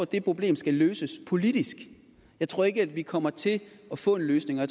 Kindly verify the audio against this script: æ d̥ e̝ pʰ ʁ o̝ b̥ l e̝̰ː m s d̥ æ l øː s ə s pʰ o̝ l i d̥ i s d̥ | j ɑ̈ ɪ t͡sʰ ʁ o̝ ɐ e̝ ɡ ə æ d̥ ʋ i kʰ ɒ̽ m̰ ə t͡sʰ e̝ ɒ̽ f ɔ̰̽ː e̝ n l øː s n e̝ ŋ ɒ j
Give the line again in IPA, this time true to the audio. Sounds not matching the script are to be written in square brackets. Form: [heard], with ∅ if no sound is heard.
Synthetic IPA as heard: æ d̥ e̝ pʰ ʁ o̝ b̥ l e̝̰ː m s [ɡ̥] æ l øː s ə s pʰ o̝ l i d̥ i s [ɡ̥] | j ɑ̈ ɪ t͡sʰ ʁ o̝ ɐ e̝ ɡ ə æ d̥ ʋ i kʰ ɒ̽ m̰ [ɐ] t͡sʰ e̝ ɒ̽ f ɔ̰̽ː e̝ n l øː s n e̝ ŋ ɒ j

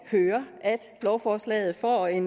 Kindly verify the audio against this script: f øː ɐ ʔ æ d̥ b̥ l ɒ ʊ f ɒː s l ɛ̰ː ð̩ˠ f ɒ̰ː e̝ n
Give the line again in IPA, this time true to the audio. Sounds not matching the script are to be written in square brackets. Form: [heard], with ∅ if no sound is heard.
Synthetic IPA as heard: [h] øː ɐ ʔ æ d̥ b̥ l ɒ ʊ f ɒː s l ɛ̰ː ð̩ˠ f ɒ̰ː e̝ n

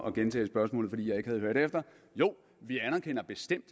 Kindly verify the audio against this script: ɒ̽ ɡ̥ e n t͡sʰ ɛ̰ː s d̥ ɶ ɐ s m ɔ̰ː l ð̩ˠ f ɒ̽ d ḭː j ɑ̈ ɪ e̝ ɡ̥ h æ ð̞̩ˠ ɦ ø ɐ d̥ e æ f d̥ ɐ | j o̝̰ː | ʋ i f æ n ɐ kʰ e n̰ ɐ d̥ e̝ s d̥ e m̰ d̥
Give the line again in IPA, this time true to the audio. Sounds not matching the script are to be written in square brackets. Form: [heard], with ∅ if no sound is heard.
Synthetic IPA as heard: ɒ̽ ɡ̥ e n t͡sʰ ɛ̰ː s [b̥] ɶ ɐ s m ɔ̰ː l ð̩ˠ f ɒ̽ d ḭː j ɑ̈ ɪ e̝ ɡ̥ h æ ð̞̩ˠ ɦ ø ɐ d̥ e [e] f d̥ ɐ | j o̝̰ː | ʋ i [∅] æ n ɐ kʰ e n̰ ɐ [b̥] e̝ s d̥ e m̰ d̥

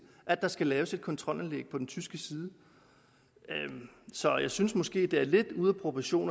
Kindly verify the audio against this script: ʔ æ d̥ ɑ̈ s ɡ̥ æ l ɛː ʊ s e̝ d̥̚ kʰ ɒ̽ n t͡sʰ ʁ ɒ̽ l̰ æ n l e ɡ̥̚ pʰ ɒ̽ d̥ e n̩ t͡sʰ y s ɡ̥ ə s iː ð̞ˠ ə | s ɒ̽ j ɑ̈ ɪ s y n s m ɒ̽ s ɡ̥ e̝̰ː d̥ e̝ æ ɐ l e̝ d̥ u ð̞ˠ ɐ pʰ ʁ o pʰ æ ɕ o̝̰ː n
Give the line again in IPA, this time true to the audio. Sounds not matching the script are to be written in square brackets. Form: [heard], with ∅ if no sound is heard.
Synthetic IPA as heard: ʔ æ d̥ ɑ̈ s ɡ̥ æ l ɛː ʊ s e̝ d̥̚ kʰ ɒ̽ n t͡sʰ ʁ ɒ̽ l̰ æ n l e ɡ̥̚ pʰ ɒ̽ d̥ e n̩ t͡sʰ y s ɡ̥ ə s iː ð̞ˠ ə | s ɒ̽ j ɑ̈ ɪ s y n s m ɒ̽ s ɡ̥ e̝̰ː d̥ e̝ æ ɐ l e̝ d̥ u ð̞ˠ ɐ pʰ ʁ o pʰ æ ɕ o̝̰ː n

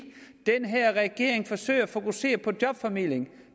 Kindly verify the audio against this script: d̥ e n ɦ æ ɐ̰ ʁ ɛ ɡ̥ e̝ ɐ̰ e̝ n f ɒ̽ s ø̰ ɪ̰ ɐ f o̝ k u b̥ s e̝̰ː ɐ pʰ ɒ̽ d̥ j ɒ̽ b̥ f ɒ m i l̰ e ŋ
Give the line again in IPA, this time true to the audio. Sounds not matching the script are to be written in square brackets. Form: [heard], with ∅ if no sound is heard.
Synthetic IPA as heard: d̥ e n ɦ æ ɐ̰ ʁ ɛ ɡ̥ e̝ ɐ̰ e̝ [ŋ] f ɒ̽ s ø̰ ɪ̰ ɐ f o̝ k u [∅] s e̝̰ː ɐ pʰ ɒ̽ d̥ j ɒ̽ b̥ f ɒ m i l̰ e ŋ

